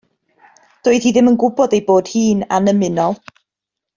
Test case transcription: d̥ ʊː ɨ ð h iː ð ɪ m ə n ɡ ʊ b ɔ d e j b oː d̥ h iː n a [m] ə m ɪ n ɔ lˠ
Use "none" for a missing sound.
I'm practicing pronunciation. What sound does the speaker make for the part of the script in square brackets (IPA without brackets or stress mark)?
n